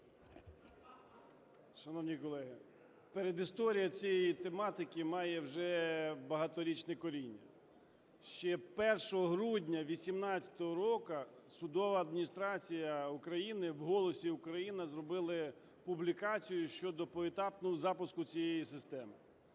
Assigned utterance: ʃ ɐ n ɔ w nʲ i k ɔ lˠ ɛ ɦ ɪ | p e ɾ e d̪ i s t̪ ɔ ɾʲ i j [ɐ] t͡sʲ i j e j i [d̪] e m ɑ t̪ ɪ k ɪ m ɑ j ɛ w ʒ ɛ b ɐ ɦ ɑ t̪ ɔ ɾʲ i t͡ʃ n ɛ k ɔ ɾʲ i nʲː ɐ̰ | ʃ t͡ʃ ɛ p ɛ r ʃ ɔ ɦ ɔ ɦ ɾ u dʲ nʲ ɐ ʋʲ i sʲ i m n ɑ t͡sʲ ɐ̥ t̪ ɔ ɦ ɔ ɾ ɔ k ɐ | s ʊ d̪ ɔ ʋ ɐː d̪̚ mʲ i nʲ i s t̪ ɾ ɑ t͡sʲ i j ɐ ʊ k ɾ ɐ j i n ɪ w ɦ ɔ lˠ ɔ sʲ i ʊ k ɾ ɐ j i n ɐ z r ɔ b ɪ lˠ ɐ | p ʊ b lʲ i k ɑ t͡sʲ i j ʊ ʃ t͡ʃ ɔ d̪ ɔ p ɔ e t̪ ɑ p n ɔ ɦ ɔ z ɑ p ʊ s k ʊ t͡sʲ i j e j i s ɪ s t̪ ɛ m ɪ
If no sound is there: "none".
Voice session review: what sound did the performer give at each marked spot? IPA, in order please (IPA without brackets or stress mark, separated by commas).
ɐ, t̪